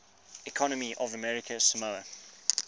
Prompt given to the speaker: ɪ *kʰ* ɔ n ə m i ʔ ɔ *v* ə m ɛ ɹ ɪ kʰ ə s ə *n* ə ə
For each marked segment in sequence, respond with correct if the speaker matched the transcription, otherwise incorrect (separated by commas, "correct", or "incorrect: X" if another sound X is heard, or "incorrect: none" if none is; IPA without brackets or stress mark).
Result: correct, correct, incorrect: m